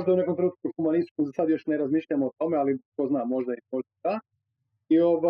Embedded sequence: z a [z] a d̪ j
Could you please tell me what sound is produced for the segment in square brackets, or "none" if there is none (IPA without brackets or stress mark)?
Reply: s